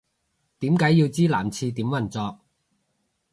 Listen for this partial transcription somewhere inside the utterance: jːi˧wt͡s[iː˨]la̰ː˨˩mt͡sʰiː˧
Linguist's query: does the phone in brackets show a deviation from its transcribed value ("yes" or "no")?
yes